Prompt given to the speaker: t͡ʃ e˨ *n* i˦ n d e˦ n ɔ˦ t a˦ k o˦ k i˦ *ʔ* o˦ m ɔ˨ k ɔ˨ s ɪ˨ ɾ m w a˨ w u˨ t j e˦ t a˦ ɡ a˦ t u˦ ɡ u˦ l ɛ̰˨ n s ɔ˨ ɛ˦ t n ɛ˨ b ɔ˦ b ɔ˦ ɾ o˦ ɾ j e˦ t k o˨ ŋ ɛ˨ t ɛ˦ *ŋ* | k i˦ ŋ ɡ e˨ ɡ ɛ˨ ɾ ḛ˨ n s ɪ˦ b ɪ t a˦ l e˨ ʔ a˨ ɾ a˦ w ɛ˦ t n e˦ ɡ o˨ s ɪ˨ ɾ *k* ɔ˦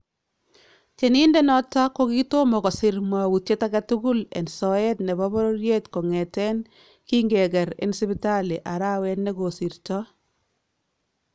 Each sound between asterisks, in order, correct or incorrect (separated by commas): correct, incorrect, incorrect, incorrect